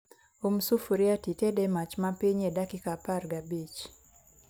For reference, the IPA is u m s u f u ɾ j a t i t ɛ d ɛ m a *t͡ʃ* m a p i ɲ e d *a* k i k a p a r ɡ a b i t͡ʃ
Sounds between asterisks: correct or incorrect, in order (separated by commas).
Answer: correct, correct